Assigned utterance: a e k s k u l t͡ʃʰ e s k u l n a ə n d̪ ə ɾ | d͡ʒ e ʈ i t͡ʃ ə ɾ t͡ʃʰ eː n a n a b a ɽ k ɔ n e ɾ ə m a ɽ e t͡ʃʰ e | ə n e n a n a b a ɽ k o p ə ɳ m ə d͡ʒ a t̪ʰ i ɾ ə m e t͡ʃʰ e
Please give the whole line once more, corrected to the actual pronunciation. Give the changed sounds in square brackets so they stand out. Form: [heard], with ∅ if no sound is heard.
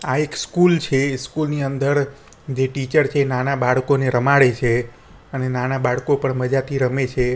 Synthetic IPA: a e k s k u l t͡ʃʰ e s k u l n [i] ə n d̪ ə ɾ | d͡ʒ e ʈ i t͡ʃ ə ɾ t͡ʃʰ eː n a n a b a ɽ k [o] n e ɾ ə m a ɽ e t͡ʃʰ e | ə n e n a n a b a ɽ k o p ə ɳ m ə d͡ʒ a t̪ʰ i ɾ ə m e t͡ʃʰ e